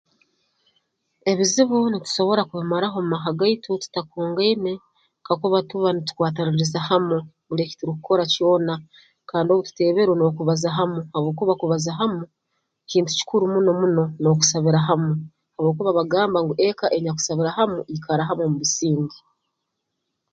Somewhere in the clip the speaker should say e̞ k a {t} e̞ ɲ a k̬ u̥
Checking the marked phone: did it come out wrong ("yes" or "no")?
yes